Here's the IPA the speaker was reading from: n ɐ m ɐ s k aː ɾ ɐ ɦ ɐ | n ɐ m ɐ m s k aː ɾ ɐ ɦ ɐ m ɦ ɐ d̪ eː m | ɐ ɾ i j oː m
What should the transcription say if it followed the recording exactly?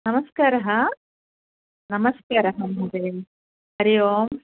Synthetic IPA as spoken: n ɐ m ɐ s k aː ɾ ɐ ɦ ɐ | n ɐ m ɐ s k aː ɾ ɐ ɦ ɐ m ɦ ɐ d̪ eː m | ɐ ɾ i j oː m

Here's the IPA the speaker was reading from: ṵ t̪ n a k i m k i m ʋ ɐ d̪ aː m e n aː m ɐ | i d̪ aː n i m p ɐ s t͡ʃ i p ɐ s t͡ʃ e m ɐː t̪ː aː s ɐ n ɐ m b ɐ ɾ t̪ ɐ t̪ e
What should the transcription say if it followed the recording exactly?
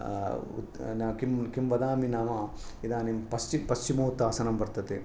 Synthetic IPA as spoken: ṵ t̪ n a k i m k i m ʋ ɐ d̪ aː m i n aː m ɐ | i d̪ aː n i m p ɐ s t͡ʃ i p ɐ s t͡ʃ i m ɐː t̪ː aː s ɐ n ɐ m b ɐ ɾ t̪ ɐ t̪ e

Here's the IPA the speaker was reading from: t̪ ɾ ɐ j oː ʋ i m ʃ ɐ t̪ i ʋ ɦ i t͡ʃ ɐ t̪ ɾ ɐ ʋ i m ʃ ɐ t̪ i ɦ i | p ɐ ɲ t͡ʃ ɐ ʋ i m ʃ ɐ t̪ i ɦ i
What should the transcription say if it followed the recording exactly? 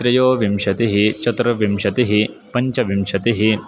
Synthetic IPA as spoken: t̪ ɾ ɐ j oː ʋ i m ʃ ɐ t̪ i ɦ i t͡ʃ ɐ t̪ ɾ ɐ ʋ i m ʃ ɐ t̪ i ɦ i | p ɐ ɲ t͡ʃ ɐ ʋ i m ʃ ɐ t̪ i ɦ i

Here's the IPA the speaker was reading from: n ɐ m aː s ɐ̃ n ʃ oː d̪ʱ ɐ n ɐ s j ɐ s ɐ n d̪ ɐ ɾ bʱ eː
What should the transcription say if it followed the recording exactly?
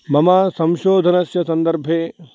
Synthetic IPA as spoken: m ɐ m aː s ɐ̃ m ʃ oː d̪ʱ ɐ n ɐ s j ɐ s ɐ n d̪ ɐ ɾ bʱ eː

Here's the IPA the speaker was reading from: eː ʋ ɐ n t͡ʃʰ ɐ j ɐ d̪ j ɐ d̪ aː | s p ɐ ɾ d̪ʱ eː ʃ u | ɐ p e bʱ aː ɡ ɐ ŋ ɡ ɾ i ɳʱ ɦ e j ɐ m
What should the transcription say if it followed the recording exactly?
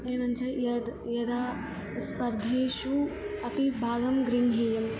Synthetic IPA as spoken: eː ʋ ɐ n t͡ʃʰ ɐ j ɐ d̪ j ɐ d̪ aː | s p ɐ ɾ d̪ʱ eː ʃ u | ɐ p i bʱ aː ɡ ɐ m ɡ ɾ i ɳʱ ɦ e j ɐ m

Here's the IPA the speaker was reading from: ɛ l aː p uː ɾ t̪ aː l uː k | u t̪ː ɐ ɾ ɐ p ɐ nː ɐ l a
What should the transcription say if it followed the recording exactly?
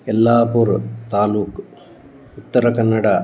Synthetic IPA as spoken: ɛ lː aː p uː ɾ t̪ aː l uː k | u t̪ː ɐ ɾ ɐ k ɐ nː ɐ ɽ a

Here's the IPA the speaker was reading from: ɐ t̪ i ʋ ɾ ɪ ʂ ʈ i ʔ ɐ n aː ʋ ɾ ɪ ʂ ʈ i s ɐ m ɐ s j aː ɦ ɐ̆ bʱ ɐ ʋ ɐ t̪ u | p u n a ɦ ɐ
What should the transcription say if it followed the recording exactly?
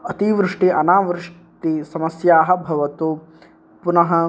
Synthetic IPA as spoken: ɐ t̪ i ʋ ɾ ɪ ʂ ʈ i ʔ ɐ n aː ʋ ɾ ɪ ʂ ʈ i s ɐ m ɐ s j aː ɦ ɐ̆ bʱ ɐ ʋ ɐ t̪ u | p u n ɐ ɦ ɐ

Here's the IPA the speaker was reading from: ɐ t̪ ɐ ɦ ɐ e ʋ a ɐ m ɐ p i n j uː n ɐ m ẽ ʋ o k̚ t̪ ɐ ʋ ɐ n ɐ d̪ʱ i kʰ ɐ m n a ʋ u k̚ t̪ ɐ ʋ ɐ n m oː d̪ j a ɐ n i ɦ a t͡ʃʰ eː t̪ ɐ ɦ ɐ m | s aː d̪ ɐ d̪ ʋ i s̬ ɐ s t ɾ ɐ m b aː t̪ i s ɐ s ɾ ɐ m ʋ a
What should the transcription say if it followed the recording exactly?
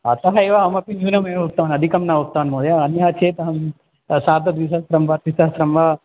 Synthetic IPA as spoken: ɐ t̪ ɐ ɦ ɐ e ʋ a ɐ m ɐ p i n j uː n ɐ m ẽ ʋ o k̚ t̪ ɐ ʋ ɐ n ɐ d̪ʱ i k ɐ m n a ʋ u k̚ t̪ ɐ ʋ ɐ n m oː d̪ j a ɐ n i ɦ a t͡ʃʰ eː t̪ ɐ ɦ ɐ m | s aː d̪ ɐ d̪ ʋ i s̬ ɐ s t ɾ ɐ m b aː t̪ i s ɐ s ɾ ɐ m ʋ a

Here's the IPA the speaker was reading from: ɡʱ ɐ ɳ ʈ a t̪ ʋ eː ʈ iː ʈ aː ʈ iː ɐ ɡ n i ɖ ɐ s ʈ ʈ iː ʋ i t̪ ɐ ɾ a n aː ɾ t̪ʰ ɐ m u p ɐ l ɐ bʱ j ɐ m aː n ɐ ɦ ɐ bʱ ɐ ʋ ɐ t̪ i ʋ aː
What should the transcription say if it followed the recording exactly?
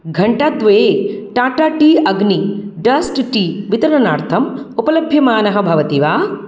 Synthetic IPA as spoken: ɡʱ ɐ ɳ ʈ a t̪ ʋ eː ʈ aː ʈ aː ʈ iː ɐ ɡ n i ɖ ɐ s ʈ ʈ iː ʋ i t̪ ɐ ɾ ɐ n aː ɾ t̪ʰ ɐ m u p ɐ l ɐ bʱ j ɐ m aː n ɐ ɦ ɐ bʱ ɐ ʋ ɐ t̪ i ʋ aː

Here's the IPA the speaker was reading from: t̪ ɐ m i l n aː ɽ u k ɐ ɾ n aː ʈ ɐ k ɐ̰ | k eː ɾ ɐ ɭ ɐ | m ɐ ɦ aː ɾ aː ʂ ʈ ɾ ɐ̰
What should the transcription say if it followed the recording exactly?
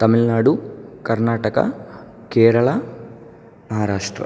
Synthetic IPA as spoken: t̪ ɐ m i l n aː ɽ u k ɐ ɾ n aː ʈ ɐ k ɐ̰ | k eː ɾ ɐ ɭ ɐ | m ɐ ɦ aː ɾ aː ʂ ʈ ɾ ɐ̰

